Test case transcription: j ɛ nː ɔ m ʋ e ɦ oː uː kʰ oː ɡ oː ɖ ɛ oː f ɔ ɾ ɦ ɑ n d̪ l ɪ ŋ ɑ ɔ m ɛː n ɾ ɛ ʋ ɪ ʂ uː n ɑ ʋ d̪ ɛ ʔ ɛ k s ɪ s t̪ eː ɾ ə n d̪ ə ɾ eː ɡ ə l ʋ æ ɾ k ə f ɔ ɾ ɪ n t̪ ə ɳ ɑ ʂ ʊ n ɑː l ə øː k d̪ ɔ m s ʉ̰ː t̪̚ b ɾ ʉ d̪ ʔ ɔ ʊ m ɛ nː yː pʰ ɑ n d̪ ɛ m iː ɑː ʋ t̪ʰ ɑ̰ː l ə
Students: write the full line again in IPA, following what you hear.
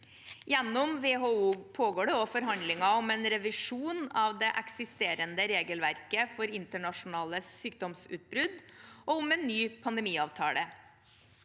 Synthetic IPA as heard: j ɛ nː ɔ m ʋ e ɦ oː uː pʰ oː ɡ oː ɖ ɛ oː f ɔ ɾ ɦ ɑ n d̪ l ɪ ŋ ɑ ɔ m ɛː n ɾ ɛ ʋ ɪ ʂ uː n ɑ ʋ d̪ ɛ ʔ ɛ k s ɪ s t̪ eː ɾ ə n d̪ ə ɾ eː ɡ ə l ʋ æ ɾ k ə f ɔ ɾ ɪ n t̪ ə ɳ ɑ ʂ ʊ n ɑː l ə yː k d̪ ɔ m s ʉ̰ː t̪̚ b ɾ ʉ d̪ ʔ ɔ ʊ m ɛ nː yː pʰ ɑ n d̪ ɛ m iː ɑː ʋ t̪ʰ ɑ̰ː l ə

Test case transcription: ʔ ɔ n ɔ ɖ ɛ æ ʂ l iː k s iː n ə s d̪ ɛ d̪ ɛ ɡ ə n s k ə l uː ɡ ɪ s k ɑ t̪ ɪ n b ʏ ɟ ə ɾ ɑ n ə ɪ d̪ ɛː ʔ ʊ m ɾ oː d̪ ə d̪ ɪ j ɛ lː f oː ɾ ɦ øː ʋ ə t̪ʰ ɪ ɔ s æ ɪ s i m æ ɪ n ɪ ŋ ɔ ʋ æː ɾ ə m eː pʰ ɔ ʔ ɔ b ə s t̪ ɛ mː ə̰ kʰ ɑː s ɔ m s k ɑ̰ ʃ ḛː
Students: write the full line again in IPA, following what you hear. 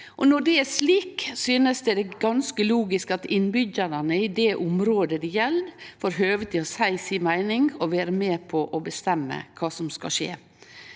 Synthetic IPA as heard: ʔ ɔ n ɔ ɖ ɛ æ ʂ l iː k s yː n ə s d̪ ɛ d̪ ɛ ɡ ɑ n s k ə l uː ɡ ɪ s k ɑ t̪ ɪ n b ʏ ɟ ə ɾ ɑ n ə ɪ d̪ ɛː ʔ ʊ m ɾ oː d̪ ə d̪ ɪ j ɛ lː f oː ɾ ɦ øː ʋ ə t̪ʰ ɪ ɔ s æ ɪ s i m æ ɪ n ɪ ŋ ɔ ʋ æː ɾ ə m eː pʰ ɔ ʔ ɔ b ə s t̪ ɛ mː ə̰ kʰ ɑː s ɔ m s k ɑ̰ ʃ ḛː

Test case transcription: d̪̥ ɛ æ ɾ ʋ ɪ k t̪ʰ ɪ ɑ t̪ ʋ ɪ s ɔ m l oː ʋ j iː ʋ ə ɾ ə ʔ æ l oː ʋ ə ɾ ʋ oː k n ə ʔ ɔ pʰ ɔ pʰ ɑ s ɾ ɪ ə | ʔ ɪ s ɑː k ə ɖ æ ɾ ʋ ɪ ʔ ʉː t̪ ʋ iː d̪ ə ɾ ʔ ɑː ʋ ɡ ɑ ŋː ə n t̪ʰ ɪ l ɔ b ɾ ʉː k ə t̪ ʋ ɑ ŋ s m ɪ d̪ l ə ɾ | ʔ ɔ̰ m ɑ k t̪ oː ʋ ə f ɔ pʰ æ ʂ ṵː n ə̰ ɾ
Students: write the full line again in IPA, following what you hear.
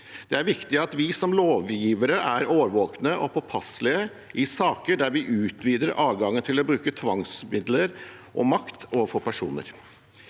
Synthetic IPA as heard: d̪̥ ɛ æ ɾ ʋ ɪ k t̪ ɪ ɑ t̪ ʋ ɪ s ɔ m l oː ʋ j iː ʋ ə ɾ ə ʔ æ ɾ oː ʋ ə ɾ ʋ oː k n ə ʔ ɔ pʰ ɔ pʰ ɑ s l ɪ ə | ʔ ɪ s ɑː k ə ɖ æ ɾ ʋ ɪ ʔ ʉː t̪ ʋ iː d̪ ə ɾ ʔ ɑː ʋ ɡ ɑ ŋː ə n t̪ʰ ɪ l ɔ b ɾ ʉː k ə t̪ʰ ʋ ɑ ŋ s m ɪ d̪ l ə ɾ | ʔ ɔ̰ m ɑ k t̪ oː ʋ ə f ɔ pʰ æ ʂ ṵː n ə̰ ɾ

